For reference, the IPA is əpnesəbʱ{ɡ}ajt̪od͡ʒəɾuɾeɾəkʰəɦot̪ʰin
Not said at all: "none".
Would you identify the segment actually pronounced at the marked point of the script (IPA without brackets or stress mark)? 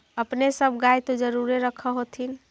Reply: ɡ